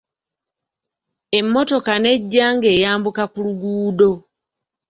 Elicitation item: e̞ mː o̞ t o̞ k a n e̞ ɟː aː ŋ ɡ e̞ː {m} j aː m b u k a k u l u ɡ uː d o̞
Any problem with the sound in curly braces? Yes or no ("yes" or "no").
yes